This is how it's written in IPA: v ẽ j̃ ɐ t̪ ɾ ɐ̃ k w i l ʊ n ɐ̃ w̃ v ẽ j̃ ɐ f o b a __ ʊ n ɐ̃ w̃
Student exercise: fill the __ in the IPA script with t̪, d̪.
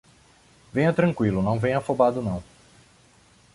d̪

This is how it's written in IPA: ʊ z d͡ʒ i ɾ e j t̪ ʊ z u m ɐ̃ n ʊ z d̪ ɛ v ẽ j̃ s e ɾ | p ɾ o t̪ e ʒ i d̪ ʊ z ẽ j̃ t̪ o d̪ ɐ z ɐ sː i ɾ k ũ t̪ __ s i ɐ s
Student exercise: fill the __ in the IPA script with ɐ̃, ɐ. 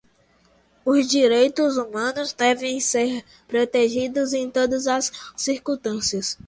ɐ̃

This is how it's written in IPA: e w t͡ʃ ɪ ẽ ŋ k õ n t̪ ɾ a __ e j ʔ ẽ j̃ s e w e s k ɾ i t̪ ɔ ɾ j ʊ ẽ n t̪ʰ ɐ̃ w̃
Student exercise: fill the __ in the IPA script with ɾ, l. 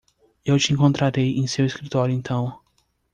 ɾ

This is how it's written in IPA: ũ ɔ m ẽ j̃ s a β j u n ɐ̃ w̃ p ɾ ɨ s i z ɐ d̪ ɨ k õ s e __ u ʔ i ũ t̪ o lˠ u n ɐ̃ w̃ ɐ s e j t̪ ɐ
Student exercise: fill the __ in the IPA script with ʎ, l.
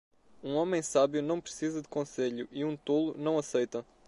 ʎ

